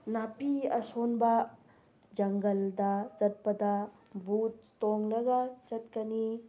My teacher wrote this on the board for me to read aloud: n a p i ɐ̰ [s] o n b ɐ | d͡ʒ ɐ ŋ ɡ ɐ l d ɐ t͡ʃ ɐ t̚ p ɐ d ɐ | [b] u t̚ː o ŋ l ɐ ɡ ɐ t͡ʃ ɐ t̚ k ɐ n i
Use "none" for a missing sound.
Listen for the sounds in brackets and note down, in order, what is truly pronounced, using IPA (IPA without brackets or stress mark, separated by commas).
s, b